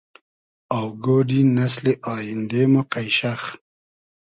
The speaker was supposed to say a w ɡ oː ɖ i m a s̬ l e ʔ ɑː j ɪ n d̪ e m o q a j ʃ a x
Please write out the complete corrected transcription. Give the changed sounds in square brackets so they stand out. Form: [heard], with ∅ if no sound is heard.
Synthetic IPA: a w ɡ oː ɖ i [n] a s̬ l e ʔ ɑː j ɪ n d̪ e m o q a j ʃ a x